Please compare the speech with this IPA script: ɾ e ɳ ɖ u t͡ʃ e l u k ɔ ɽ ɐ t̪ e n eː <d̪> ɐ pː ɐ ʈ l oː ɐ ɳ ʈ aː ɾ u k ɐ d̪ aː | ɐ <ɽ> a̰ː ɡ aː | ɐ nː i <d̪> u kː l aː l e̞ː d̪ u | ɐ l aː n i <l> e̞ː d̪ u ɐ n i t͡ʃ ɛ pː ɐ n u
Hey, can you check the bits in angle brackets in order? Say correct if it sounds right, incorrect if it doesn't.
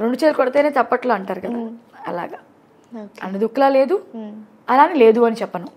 incorrect: t̪, incorrect: l, correct, correct

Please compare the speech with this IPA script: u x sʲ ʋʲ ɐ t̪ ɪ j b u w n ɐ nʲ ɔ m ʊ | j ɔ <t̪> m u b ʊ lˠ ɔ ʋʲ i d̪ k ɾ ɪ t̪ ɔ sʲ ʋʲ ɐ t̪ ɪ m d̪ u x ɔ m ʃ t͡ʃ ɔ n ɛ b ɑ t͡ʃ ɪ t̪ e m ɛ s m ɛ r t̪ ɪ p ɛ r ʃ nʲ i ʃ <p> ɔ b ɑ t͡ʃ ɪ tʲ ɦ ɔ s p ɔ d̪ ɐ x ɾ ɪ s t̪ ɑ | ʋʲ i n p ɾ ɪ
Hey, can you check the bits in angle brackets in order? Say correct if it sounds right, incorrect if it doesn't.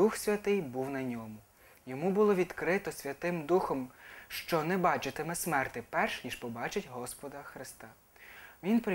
incorrect: none, correct

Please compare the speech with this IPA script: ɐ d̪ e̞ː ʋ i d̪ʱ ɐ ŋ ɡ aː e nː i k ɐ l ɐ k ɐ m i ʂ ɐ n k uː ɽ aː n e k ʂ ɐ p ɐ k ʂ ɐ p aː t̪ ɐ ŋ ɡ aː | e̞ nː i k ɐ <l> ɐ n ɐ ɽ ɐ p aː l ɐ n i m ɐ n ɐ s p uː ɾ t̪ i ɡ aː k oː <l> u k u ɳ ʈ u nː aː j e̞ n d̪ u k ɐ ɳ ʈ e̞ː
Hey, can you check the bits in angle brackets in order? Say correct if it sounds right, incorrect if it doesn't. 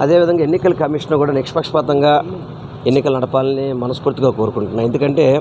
correct, incorrect: ɾ

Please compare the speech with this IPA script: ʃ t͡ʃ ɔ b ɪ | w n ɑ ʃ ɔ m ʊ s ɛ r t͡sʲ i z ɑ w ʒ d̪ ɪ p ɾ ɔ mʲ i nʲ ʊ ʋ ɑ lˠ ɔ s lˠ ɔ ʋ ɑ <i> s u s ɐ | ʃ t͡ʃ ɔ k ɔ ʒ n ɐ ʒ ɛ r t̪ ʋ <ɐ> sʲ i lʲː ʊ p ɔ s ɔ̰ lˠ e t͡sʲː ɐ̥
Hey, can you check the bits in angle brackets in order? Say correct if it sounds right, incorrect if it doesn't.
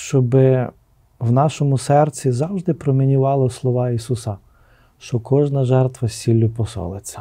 correct, correct

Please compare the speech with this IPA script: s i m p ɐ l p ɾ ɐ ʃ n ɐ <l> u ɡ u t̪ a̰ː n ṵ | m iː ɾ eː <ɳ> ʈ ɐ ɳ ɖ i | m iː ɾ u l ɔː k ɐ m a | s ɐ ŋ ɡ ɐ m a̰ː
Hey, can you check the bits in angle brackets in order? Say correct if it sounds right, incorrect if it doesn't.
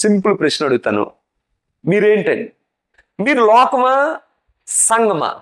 incorrect: ɽ, correct

